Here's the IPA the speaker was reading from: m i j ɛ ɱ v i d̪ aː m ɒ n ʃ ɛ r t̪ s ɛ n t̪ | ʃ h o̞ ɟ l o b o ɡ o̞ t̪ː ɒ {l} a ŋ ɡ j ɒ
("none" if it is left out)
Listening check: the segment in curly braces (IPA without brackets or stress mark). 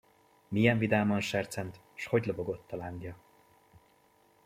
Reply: l